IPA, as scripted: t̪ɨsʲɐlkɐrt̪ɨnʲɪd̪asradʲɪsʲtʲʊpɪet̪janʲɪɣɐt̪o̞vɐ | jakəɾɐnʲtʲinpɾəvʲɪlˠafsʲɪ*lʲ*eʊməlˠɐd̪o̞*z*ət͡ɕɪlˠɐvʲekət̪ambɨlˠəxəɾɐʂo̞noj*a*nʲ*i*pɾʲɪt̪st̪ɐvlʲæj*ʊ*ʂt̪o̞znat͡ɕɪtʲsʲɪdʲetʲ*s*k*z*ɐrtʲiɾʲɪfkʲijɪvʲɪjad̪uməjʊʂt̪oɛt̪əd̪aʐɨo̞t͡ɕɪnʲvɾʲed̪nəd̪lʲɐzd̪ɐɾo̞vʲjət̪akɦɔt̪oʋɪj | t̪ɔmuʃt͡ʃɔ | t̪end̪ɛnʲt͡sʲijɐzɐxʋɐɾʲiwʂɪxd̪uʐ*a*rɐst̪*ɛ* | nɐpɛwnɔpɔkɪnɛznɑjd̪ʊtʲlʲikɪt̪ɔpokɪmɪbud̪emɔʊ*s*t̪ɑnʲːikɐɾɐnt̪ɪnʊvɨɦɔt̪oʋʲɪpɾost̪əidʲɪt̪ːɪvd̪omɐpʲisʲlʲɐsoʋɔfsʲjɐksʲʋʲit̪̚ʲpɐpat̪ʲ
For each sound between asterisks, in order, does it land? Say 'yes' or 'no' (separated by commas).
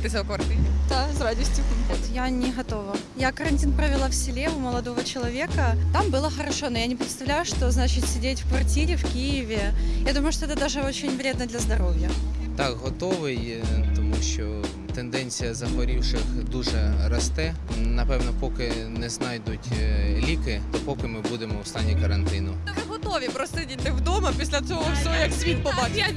yes, no, yes, no, yes, no, no, no, yes, yes